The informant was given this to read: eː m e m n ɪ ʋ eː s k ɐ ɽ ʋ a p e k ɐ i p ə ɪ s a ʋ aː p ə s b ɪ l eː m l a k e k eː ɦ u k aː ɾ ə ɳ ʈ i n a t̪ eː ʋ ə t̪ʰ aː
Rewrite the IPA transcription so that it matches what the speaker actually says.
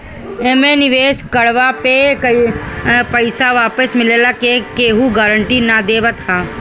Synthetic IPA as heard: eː m e n ɪ ʋ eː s k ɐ ɽ ʋ a p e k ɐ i p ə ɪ s a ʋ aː p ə s m ɪ l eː l a k e k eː ɦ u ɡ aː ɾ ə ɳ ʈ i n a d̪ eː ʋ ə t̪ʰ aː

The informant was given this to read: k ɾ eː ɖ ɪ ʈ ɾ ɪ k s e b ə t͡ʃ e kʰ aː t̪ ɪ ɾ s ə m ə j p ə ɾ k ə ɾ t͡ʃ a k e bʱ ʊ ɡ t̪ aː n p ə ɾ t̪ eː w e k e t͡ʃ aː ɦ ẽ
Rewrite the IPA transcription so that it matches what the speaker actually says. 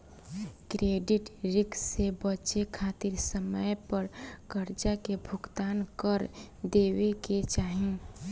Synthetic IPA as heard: k ɾ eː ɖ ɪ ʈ ɾ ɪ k s e b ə t͡ʃ e kʰ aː t̪ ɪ ɾ s ə m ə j p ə ɾ k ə ɾ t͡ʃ a k e bʱ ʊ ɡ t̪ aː n k ə ɾ d̪ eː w e k e t͡ʃ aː ɦ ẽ

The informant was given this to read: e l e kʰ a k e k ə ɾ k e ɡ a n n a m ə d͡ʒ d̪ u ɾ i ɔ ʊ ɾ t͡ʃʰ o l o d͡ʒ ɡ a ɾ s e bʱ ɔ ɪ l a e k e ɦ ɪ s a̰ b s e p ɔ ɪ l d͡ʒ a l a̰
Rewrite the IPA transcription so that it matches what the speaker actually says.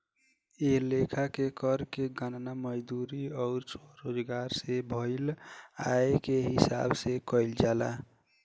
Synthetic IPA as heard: e l e kʰ a k e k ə ɾ k e ɡ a n n a m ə d͡ʒ d̪ u ɾ i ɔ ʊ ɾ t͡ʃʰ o ɾ o d͡ʒ ɡ a ɾ s e bʱ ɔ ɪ l a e k e ɦ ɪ s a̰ b s e k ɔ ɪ l d͡ʒ a l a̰

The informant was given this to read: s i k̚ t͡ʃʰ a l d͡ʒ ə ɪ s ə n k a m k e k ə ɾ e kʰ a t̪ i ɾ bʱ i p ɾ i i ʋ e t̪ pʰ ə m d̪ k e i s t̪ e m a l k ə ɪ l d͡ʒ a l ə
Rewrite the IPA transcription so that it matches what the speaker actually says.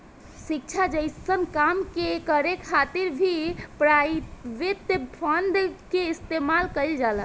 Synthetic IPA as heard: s i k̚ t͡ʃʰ a d͡ʒ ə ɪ s ə n k a m k e k ə ɾ e kʰ a t̪ i ɾ bʱ i p ɾ a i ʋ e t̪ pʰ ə n d̪ k e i s t̪ e m a l k ə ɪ l d͡ʒ a l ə

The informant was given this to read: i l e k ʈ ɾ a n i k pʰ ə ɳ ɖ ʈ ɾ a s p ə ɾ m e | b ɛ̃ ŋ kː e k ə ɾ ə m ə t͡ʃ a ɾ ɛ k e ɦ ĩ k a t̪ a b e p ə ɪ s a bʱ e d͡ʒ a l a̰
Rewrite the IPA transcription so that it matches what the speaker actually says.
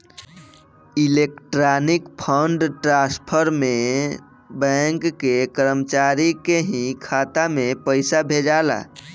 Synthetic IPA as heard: i l e k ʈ ɾ a n i k pʰ ə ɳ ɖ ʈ ɾ a s pʰ ə ɾ m e | b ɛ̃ ŋ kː e k ə ɾ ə m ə t͡ʃ a ɾ i k e ɦ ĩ kʰ a t̪ a m e p ə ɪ s a bʱ e d͡ʒ a l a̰

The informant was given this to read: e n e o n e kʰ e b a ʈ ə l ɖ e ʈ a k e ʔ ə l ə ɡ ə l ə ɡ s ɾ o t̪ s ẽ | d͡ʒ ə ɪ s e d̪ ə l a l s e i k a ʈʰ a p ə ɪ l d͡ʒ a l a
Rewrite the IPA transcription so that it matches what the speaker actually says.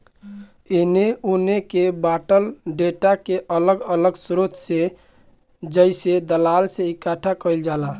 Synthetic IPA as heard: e n e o n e k e b a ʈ ə l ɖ e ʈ a k e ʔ ə l ə ɡ ə l ə ɡ s ɾ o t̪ s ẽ | d͡ʒ ə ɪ s e d̪ ə l a l s e i k a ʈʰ a k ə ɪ l d͡ʒ a l a

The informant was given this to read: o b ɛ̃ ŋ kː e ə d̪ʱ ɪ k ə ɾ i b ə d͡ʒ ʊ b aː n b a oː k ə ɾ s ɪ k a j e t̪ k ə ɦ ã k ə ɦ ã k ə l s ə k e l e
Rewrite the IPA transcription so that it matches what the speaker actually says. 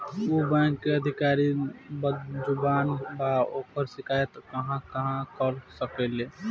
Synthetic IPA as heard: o b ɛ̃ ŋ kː e ə d̪ʱ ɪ k a ɾ i b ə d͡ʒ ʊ b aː n b a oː k ə ɾ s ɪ k a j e t̪ k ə ɦ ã k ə ɦ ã k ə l s ə k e l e

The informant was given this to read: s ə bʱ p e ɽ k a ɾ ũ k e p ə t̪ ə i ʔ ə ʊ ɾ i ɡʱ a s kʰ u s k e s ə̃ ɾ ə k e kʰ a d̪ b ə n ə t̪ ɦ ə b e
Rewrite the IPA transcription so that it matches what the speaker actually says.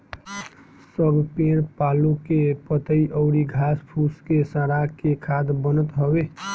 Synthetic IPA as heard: s ə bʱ p e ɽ p a l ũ k e p ə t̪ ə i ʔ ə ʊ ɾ i ɡʱ a s pʰ u s k e s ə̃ ɾ a k e kʰ a d̪ b ə n ə t̪ ɦ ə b e

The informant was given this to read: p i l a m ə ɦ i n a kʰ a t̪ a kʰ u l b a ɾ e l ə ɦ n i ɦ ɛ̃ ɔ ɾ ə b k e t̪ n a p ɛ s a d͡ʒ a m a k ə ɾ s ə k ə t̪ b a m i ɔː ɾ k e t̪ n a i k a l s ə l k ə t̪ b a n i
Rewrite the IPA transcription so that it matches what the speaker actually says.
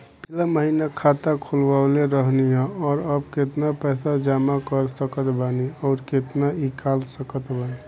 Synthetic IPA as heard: p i l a m ə ɦ i n a kʰ a t̪ a kʰ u l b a l e ɾ ə ɦ n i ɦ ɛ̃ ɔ ɾ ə b k e t̪ n a p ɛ s a d͡ʒ a m a k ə ɾ s ə k ə t̪ b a n i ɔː ɾ k e t̪ n a i k a l s ə k ə t̪ b a n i

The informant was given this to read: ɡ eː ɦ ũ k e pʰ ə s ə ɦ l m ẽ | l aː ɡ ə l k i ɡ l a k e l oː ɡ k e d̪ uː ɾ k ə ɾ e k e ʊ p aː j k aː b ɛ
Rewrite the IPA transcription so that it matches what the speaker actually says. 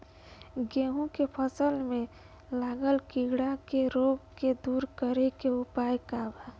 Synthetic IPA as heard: ɡ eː ɦ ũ k e pʰ ə s ə l m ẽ | l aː ɡ ə l k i ɡ ɽ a k e ɾ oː ɡ k e d̪ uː ɾ k ə ɾ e k e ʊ p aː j k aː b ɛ

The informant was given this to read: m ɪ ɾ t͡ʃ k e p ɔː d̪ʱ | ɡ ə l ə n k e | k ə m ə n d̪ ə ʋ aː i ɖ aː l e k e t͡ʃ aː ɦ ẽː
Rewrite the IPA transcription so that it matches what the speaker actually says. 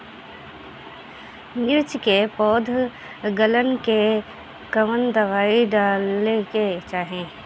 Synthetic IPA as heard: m ɪ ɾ t͡ʃ k e p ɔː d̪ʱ | ɡ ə l ə n k e | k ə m ə n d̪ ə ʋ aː i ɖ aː l e k e t͡ʃ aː ɦ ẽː

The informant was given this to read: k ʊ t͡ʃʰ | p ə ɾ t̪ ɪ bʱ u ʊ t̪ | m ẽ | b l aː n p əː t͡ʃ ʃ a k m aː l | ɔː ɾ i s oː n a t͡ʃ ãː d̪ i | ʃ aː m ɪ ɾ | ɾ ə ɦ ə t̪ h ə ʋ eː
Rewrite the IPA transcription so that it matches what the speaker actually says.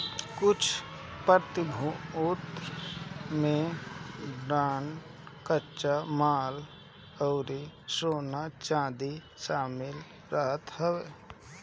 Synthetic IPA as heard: k ʊ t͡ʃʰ | p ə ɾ t̪ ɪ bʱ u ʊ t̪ | m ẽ | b ɾ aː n k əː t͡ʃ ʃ a m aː l | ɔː ɾ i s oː n a t͡ʃ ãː d̪ i | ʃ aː m ɪ l | ɾ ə ɦ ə t̪ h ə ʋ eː

